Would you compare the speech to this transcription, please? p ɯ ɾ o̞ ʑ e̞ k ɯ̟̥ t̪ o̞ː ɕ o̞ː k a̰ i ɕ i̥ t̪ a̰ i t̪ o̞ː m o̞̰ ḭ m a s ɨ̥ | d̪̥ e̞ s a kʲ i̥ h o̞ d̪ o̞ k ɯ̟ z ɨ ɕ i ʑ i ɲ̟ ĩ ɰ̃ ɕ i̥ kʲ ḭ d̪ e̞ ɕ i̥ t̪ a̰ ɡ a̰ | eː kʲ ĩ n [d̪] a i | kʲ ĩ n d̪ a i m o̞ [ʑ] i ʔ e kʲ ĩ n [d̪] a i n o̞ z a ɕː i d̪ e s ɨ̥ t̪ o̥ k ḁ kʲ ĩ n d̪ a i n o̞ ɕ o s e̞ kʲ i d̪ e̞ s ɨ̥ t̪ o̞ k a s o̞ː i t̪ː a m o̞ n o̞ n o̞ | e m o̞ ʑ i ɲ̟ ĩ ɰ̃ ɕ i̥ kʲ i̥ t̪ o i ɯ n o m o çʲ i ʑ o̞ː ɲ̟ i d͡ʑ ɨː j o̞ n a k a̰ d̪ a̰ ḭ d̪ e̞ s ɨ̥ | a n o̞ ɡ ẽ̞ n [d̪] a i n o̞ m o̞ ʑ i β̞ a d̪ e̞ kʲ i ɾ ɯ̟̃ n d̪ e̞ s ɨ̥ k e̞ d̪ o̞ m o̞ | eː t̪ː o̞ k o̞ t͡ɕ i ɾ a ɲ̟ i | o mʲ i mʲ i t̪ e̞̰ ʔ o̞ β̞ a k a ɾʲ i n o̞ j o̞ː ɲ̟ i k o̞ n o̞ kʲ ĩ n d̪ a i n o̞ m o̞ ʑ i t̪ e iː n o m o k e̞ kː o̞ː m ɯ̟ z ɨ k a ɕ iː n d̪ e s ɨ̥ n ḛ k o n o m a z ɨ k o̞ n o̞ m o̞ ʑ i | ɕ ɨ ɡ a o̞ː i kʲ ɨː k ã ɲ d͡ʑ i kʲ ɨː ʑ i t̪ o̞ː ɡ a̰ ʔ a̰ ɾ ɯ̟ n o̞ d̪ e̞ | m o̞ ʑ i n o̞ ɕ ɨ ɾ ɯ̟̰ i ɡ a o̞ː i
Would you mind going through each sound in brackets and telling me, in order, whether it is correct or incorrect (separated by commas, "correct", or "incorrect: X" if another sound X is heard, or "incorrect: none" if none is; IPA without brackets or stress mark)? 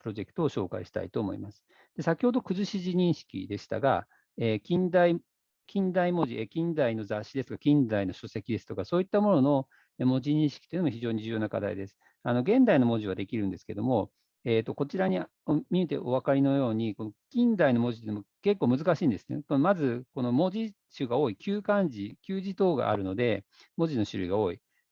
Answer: correct, correct, correct, correct